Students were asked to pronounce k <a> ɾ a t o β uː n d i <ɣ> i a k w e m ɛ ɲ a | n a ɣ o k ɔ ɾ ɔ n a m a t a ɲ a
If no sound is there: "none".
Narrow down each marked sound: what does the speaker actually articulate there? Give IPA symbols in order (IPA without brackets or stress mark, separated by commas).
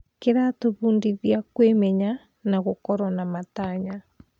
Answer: e, ð